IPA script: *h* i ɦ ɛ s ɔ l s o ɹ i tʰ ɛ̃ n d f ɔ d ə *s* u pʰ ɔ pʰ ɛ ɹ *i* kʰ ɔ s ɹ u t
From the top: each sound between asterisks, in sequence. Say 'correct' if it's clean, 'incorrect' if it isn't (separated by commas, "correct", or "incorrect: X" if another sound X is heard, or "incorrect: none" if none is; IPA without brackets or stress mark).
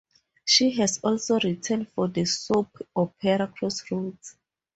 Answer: incorrect: ʃ, correct, incorrect: a